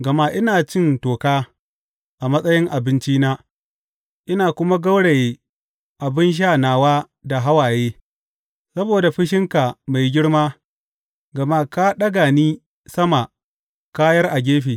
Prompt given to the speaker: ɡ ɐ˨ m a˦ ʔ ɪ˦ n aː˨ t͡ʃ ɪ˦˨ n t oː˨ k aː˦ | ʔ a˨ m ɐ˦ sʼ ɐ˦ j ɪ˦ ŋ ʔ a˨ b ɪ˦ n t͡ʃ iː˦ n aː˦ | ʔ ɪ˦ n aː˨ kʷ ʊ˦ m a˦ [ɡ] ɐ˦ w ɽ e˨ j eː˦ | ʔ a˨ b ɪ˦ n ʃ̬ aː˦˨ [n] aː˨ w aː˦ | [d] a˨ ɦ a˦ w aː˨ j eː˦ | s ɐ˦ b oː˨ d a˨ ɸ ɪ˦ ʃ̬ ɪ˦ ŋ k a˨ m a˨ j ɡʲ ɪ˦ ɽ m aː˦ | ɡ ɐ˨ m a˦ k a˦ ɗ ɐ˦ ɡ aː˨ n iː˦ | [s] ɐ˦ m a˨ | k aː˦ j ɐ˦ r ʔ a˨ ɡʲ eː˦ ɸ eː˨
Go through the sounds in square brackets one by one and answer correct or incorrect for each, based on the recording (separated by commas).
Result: correct, correct, correct, correct